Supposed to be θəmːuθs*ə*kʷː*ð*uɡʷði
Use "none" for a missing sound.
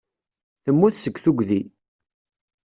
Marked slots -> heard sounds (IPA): ə, θ

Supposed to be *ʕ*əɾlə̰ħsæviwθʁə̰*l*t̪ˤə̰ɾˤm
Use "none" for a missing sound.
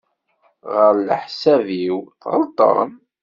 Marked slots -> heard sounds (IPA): ʁ, l

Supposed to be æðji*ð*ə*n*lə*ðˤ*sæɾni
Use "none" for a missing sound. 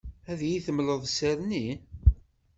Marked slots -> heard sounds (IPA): θ, m, ðˤ

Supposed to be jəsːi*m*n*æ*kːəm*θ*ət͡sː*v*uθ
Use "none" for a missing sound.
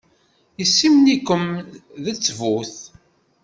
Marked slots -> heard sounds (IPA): m, i, ð, v

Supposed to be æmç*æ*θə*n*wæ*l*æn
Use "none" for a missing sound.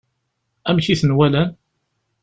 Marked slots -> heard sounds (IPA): i, n, l

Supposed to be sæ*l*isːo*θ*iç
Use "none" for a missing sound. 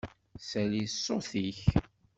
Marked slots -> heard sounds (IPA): l, θ

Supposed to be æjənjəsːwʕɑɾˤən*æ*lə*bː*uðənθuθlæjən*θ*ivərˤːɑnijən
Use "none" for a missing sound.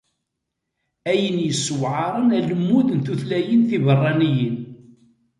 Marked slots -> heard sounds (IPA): æ, mː, θ

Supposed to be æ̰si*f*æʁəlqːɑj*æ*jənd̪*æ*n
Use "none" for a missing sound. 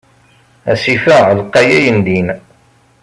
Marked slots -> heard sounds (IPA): f, æ, i

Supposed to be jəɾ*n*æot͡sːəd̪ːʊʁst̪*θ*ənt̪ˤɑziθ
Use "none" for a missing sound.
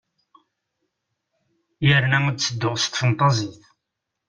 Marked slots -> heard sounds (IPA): n, f

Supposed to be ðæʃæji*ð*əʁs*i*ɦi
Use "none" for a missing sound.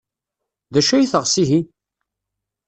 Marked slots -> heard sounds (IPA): θ, i

